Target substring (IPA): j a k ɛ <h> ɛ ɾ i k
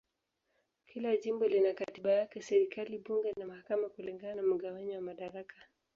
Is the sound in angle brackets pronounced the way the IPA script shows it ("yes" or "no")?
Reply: no